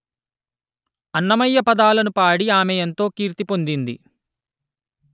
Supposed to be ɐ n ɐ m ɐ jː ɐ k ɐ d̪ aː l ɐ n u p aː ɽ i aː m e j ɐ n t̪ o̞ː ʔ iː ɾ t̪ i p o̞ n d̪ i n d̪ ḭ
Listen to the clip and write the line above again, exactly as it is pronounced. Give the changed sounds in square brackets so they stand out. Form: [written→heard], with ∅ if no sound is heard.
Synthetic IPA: ɐ [n→nː] ɐ m ɐ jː ɐ [k→p] ɐ d̪ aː l ɐ n u p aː ɽ i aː m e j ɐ n t̪ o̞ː [ʔ→k] iː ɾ t̪ i p o̞ n d̪ i n d̪ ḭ